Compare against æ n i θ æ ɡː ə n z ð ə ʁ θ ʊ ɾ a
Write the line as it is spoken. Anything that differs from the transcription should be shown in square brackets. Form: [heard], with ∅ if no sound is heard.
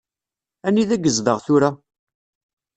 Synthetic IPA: æ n i [ð] æ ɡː ə [∅] z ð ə ʁ θ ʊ ɾ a